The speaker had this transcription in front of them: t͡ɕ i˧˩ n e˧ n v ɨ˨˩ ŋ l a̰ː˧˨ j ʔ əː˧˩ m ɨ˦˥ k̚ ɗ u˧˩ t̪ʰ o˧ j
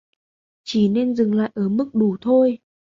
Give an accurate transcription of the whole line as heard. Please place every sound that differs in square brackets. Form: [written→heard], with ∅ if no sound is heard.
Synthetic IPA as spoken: t͡ɕ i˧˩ n e˧ n [v→z] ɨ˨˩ ŋ l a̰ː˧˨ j ʔ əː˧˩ m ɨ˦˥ k̚ ɗ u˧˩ t̪ʰ o˧ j